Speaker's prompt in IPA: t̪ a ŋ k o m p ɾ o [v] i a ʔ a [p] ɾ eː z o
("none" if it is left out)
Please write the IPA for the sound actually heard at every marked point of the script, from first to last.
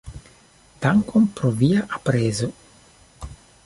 v, p

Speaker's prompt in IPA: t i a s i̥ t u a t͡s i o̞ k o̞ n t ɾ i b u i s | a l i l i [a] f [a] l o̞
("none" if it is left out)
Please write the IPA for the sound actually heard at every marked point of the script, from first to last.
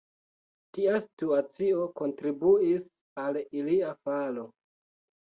a, a

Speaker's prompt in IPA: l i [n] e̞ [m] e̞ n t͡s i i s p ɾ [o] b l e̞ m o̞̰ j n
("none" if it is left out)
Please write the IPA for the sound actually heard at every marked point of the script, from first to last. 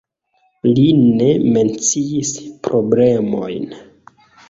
n, m, o

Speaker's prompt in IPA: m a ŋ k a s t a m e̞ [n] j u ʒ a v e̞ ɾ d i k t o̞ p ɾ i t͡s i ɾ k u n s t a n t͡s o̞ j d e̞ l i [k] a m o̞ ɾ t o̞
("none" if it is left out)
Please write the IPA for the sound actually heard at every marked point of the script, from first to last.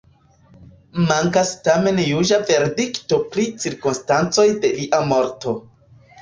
n, ʔ

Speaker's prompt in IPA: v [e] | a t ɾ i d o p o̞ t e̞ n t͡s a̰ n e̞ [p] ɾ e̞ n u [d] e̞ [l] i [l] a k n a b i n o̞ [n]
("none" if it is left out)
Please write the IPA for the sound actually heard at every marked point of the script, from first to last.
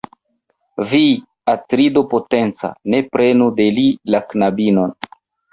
i, p, d, l, l, n

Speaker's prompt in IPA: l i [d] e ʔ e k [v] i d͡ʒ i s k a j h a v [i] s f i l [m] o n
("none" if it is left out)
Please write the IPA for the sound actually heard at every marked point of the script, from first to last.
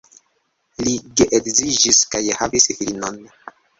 ɡ, z, i, n

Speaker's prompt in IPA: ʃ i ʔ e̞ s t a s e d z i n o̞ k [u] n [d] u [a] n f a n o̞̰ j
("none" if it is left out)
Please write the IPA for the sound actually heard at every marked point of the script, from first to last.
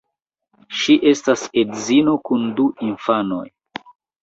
u, d, i

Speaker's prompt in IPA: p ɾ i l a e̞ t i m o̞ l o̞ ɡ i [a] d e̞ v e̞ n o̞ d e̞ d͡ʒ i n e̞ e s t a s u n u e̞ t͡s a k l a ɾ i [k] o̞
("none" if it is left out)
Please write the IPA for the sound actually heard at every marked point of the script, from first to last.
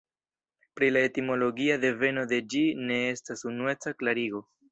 a, ɡ

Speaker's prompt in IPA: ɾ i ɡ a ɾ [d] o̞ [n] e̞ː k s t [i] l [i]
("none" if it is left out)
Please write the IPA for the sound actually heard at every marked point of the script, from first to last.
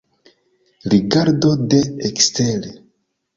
d, d, e, e

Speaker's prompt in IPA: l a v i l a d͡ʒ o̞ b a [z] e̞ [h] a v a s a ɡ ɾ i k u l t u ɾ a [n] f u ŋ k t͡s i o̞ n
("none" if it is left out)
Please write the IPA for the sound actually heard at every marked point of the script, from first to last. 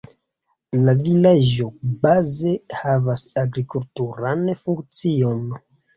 z, h, n

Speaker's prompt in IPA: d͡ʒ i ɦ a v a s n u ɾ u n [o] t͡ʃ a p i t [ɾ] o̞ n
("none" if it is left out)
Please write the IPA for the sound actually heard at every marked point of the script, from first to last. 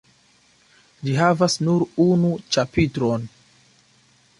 u, ɾ

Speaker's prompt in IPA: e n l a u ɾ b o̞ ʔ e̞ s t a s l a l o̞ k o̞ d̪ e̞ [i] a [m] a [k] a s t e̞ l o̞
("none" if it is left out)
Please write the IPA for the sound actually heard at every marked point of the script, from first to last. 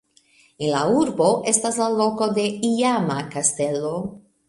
i, m, k

